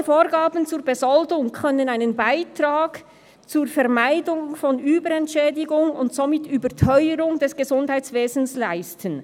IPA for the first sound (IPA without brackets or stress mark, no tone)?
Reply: f